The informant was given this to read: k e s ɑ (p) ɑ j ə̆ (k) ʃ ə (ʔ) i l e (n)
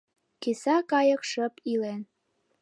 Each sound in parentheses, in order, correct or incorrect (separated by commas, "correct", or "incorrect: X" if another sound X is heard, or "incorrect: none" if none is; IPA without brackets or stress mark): incorrect: k, correct, incorrect: p, correct